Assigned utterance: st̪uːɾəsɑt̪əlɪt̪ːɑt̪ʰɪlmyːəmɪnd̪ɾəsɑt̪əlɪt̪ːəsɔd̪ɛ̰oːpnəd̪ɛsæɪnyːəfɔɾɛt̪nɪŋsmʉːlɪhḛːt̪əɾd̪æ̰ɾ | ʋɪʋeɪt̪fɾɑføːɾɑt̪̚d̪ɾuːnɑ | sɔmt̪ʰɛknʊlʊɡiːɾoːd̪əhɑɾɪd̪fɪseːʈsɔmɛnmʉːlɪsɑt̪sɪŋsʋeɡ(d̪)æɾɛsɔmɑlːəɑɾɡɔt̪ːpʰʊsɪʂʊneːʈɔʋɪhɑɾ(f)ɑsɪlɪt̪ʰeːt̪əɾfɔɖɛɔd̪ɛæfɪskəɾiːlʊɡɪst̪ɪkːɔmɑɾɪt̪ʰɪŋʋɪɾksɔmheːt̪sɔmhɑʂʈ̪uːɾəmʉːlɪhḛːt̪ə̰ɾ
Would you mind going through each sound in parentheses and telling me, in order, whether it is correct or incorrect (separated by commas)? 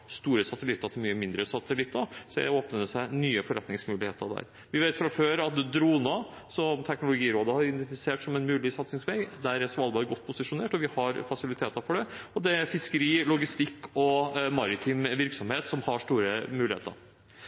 correct, correct